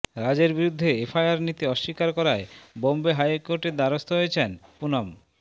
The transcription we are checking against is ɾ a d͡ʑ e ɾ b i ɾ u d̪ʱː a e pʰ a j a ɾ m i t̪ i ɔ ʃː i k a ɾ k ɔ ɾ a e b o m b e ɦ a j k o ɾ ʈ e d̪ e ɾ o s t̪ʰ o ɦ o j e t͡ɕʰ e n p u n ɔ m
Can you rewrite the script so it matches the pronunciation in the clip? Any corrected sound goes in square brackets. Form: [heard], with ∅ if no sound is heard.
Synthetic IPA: ɾ a d͡ʑ e ɾ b i ɾ u d̪ʱː [e] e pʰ a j a ɾ [n] i t̪ i ɔ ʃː i k a ɾ k ɔ ɾ a e b o m b e ɦ a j k o ɾ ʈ e d̪ [a] ɾ o s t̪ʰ o ɦ o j e t͡ɕʰ e n p u n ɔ m